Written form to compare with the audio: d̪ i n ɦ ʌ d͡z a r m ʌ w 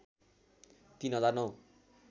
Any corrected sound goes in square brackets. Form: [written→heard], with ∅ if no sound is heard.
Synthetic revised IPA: [d̪→t̪] i n ɦ ʌ d͡z a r [m→n] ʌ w